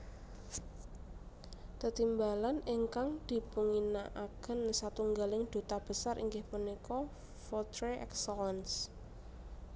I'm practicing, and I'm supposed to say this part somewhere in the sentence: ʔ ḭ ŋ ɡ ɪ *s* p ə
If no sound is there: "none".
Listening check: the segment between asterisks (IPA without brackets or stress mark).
h